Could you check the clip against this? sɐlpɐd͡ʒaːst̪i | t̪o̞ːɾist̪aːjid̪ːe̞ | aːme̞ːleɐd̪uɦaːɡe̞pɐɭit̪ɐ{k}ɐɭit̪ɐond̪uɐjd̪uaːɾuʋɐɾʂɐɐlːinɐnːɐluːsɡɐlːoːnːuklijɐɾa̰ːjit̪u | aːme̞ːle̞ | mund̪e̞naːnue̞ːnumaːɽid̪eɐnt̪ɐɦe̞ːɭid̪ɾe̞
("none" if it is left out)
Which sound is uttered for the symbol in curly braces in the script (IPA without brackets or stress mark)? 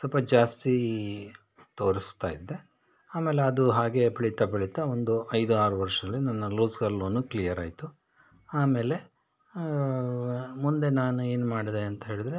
p